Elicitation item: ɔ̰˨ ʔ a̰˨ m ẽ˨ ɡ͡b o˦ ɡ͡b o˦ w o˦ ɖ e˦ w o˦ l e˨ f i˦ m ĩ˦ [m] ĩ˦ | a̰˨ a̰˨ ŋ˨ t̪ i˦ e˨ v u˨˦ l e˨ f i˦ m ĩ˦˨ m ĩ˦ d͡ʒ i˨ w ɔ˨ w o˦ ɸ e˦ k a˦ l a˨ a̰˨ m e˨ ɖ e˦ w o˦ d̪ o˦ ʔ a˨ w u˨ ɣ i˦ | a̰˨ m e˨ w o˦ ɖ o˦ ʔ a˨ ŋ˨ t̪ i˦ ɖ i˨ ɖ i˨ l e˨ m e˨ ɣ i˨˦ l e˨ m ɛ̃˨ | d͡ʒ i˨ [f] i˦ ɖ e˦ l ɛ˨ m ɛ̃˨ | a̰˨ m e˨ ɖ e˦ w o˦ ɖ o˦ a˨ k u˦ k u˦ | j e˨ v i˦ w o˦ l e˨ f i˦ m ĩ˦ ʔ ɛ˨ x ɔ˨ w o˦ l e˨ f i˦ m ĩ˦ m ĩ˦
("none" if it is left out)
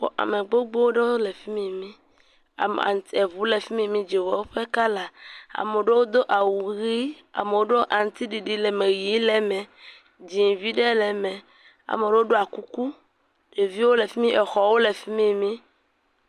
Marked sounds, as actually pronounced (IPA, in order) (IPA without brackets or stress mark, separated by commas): m, v